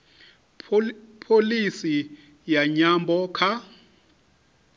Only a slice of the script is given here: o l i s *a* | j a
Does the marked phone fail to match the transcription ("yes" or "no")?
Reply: yes